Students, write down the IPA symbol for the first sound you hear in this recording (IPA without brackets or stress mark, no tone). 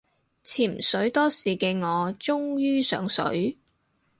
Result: t͡sʰ